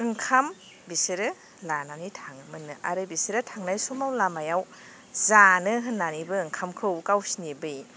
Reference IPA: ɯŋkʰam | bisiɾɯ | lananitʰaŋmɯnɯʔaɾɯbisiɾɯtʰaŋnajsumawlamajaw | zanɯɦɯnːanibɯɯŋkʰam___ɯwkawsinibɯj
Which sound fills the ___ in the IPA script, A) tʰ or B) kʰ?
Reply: B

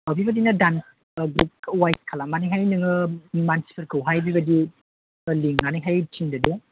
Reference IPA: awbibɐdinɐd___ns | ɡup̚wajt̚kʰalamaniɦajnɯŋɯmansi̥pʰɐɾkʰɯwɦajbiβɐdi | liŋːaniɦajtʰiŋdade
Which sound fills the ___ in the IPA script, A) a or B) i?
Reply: A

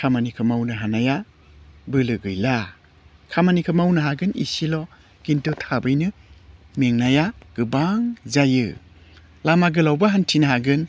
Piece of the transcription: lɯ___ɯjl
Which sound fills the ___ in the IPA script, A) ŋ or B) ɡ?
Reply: B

